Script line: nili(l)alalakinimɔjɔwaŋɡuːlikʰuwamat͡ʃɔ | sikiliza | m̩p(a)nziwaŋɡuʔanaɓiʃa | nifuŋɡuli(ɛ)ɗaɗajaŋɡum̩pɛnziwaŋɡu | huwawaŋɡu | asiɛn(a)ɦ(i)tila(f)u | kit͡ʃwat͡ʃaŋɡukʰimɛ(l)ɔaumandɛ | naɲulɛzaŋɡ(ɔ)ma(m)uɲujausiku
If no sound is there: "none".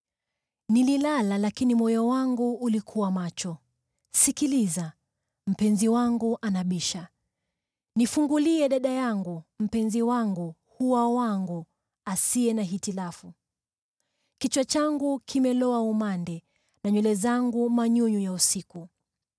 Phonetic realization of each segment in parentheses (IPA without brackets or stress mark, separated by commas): l, ɛ, ɛ, a, i, f, l, u, ɲ